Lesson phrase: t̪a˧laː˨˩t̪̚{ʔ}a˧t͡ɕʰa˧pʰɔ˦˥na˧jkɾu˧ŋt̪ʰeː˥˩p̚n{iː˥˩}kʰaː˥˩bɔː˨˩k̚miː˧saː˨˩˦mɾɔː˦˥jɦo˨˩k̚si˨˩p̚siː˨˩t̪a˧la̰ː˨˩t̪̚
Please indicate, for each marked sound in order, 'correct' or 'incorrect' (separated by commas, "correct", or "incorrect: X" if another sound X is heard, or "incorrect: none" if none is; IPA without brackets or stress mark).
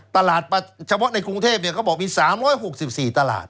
incorrect: p, incorrect: i˥˩